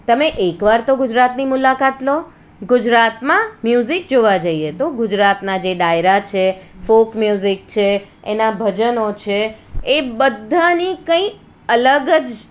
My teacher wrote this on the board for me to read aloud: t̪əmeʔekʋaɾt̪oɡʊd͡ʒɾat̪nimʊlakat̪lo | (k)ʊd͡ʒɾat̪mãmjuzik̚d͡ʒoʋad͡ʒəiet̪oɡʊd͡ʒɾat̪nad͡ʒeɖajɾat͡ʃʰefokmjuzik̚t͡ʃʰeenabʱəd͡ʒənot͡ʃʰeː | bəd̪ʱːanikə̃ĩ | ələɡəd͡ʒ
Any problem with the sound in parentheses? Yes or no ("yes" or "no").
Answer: yes